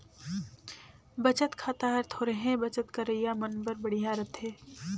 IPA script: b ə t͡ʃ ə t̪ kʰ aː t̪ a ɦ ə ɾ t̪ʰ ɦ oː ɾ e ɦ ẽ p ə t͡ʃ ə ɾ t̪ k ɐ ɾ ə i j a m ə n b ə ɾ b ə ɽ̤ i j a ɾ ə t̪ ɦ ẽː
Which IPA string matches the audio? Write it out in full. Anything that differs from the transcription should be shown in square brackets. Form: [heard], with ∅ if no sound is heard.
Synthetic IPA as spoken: b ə t͡ʃ ə t̪ kʰ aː t̪ a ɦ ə ɾ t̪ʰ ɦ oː ɾ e ɦ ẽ [b] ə t͡ʃ ə [∅] t̪ k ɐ ɾ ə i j a m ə n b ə ɾ b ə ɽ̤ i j a ɾ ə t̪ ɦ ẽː